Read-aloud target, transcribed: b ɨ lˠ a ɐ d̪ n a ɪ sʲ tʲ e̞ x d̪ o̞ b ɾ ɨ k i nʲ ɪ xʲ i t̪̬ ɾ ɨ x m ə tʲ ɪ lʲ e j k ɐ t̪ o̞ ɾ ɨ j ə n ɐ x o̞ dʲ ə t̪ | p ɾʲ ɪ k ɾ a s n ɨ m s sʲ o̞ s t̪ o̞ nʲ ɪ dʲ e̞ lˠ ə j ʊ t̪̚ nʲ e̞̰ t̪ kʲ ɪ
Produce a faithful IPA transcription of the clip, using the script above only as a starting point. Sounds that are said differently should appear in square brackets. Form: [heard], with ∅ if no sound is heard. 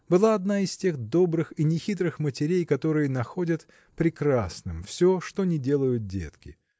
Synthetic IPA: b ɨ lˠ a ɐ d̪ n a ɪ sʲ tʲ e̞ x d̪ o̞ b ɾ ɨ [x] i nʲ ɪ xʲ i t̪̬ ɾ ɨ x m ə tʲ ɪ [ɾʲ] e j k ɐ t̪ o̞ ɾ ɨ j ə n ɐ x o̞ dʲ ə t̪ | p ɾʲ ɪ k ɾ a s n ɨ m [f] sʲ o̞ [ʂ] t̪ o̞ nʲ ɪ dʲ e̞ lˠ ə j ʊ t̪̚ [dʲ] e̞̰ t̪ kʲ ɪ

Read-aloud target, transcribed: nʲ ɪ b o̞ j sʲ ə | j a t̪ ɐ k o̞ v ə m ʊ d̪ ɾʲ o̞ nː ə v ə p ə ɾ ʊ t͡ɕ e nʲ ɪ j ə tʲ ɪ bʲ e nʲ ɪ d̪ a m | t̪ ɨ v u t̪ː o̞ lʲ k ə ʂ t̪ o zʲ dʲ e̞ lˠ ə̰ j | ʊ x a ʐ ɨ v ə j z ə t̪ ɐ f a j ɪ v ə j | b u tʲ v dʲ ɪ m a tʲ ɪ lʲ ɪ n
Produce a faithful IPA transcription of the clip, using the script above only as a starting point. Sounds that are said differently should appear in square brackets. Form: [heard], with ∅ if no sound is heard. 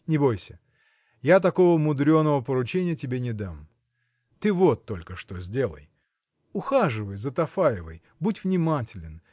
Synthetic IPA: nʲ ɪ b o̞ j sʲ ə | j a t̪ ɐ k o̞ v ə m ʊ d̪ ɾʲ o̞ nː ə v ə p ə ɾ ʊ t͡ɕ e nʲ ɪ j ə tʲ ɪ bʲ e nʲ ɪ d̪ a m | t̪ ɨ v [o] t̪ː o̞ lʲ k ə ʂ t̪ o zʲ dʲ e̞ lˠ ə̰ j | ʊ x a ʐ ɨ v ə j z ə t̪ ɐ f a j ɪ v ə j | b u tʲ v [nʲ] ɪ m a tʲ ɪ lʲ ɪ n

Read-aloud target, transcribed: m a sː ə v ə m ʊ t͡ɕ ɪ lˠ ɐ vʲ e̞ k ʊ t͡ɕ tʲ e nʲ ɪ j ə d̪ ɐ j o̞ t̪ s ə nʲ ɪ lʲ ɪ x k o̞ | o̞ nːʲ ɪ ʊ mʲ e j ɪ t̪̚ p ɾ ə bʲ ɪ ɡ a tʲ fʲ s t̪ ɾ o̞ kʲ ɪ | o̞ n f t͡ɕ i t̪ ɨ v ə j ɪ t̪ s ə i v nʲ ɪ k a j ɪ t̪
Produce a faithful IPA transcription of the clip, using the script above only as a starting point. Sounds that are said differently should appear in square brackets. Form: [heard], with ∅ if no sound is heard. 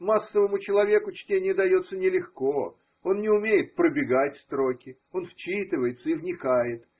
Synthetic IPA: m a sː ə v ə m ʊ t͡ɕ ɪ lˠ ɐ vʲ e̞ k ʊ t͡ɕ tʲ e nʲ ɪ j ə d̪ ɐ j o̞ t̪ s ə nʲ ɪ lʲ ɪ x k o̞ | o̞ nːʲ ɪ ʊ mʲ e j ɪ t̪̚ p ɾ ə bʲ ɪ ɡ a tʲ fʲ s t̪ ɾ o̞ kʲ ɪ | o̞ n f t͡ɕ i t̪ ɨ v ə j ɪ t̪ s ə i v nʲ ɪ k a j ɪ t̪

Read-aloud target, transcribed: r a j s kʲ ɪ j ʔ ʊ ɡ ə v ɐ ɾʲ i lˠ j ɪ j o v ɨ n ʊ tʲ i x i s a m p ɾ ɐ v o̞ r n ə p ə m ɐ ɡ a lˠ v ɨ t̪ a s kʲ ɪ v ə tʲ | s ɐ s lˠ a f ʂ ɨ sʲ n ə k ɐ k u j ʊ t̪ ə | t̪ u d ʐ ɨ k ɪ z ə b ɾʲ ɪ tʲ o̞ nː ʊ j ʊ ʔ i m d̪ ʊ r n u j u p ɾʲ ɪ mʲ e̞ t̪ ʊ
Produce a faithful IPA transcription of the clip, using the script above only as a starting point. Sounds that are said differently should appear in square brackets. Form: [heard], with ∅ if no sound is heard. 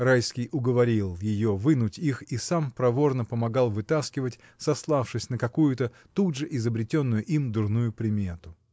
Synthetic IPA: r a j s kʲ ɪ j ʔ ʊ ɡ ə v ɐ ɾʲ i lˠ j ɪ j o v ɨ n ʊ tʲ i x i s a m p ɾ ɐ v o̞ r n ə p ə m ɐ ɡ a lˠ v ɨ t̪ a s kʲ ɪ v ə tʲ | s ɐ s lˠ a f ʂ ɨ sʲ n ə k ɐ k u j ʊ t̪ ə | t̪ u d ʐ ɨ [ʔ] ɪ z ə b ɾʲ ɪ tʲ o̞ nː ʊ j ʊ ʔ i m d̪ ʊ r n u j [ʊ] p ɾʲ ɪ mʲ e̞ t̪ ʊ

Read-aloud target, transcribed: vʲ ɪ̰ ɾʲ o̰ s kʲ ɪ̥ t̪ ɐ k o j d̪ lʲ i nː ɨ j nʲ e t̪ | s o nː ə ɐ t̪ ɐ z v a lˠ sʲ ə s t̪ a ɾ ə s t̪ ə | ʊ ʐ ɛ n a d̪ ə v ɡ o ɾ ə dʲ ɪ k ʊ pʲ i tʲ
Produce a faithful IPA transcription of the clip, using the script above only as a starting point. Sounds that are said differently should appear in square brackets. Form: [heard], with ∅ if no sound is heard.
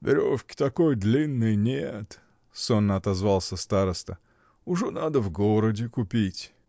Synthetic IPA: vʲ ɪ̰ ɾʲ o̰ [f] kʲ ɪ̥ t̪ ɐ k o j d̪ lʲ i nː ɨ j nʲ e t̪ | s o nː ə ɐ t̪ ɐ z v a lˠ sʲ ə s t̪ a ɾ ə s t̪ ə | ʊ ʐ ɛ n a d̪ ə v ɡ o ɾ ə dʲ ɪ k ʊ pʲ i tʲ

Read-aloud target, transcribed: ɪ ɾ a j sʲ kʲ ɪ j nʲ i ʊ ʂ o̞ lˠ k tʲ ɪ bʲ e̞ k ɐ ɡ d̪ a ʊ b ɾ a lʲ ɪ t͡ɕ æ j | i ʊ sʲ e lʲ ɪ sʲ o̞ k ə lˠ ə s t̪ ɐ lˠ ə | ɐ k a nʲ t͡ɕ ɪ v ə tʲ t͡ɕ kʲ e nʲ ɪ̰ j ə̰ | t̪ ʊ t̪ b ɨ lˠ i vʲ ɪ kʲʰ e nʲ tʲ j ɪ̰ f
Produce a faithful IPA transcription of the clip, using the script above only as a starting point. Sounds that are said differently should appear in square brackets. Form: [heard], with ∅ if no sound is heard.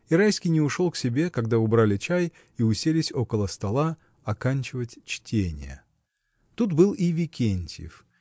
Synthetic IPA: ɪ ɾ a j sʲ kʲ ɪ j nʲ [ɪ] ʊ ʂ o̞ lˠ k [sʲ] ɪ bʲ e̞ k ɐ ɡ d̪ a ʊ b ɾ a lʲ ɪ t͡ɕ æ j | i ʊ sʲ e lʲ ɪ sʲ o̞ k ə lˠ ə s t̪ ɐ lˠ [a] | ɐ k a nʲ t͡ɕ ɪ v ə tʲ t͡ɕ [tʲ] e nʲ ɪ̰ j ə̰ | t̪ [u] t̪ b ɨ lˠ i vʲ ɪ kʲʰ e nʲ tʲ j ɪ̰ f

